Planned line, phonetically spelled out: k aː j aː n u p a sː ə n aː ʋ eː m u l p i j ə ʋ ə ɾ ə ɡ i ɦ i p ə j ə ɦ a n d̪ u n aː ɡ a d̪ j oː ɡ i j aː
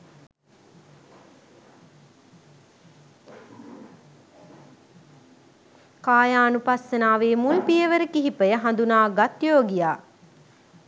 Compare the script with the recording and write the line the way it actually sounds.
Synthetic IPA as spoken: k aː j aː n u p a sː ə n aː ʋ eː m u l p i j ə ʋ ə ɾ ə k i ɦ i p ə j ə ɦ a n d̪ u n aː ɡ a t̪ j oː ɡ i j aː